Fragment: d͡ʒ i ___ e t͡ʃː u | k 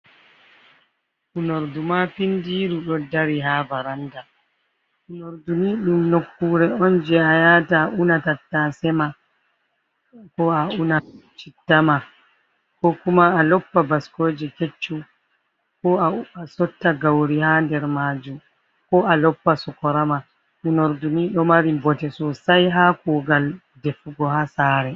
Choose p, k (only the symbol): k